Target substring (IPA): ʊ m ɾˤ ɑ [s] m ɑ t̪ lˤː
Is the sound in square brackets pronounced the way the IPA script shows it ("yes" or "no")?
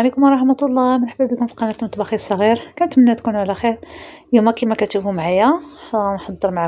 no